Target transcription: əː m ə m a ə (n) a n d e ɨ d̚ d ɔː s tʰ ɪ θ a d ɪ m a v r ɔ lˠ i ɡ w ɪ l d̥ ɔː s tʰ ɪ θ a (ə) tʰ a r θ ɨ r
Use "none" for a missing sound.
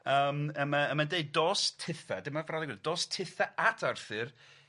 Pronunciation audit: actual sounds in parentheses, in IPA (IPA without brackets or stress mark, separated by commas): m, a